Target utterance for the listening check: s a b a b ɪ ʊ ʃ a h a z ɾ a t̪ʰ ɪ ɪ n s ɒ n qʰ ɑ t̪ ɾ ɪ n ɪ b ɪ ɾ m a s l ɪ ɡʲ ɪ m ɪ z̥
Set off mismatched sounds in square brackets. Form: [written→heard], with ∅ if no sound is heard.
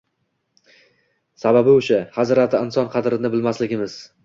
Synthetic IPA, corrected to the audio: s a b a b ɪ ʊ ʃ a h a z ɾ a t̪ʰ ɪ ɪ n s ɒ n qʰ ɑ [t̪→d̪] ɾ ɪ n ɪ b ɪ [ɾ→l] m a s l ɪ ɡʲ ɪ m ɪ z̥